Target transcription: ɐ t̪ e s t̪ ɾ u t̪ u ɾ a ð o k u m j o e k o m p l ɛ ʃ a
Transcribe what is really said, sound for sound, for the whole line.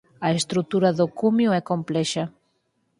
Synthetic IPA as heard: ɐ e s t̪ ɾ u t̪ u ɾ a ð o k u m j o ɛ k o m p l ɛ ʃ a